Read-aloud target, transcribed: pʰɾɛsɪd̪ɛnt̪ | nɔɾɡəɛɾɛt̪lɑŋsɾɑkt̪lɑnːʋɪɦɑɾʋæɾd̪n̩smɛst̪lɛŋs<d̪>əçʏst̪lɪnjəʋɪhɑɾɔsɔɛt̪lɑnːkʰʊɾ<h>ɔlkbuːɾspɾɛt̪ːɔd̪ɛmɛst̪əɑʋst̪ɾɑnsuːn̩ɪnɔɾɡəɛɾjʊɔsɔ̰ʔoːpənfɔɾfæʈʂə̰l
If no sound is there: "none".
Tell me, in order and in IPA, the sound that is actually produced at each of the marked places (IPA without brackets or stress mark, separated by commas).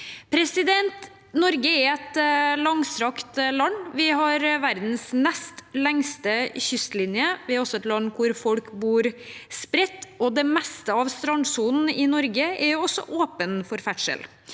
t̪, f